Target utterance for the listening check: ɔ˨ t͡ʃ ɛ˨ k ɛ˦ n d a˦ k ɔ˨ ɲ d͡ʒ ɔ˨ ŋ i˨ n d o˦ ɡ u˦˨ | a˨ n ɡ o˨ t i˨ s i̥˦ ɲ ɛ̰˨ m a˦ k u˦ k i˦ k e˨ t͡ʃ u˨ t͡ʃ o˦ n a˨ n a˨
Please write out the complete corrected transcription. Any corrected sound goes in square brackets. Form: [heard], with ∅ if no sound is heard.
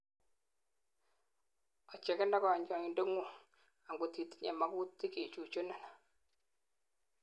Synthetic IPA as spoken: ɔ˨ t͡ʃ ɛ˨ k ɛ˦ n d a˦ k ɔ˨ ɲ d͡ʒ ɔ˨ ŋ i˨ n d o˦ [ŋ] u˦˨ | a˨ [ŋ] ɡ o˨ t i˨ [t] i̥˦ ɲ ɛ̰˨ m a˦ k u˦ [t] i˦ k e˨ t͡ʃ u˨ t͡ʃ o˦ n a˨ n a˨